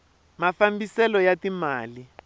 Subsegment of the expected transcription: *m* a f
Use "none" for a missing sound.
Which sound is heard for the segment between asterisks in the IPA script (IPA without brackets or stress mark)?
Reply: m